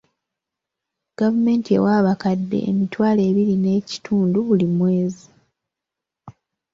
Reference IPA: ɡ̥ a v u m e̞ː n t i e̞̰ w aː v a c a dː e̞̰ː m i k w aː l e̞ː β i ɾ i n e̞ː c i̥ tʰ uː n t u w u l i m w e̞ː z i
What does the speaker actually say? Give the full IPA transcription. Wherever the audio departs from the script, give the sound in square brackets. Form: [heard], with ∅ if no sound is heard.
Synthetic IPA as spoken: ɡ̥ a v u m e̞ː n t i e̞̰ w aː [β] a [k] a dː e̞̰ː m i [t] w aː l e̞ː β i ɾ i n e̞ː c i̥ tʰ uː n [d] u [β] u l i m w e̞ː z i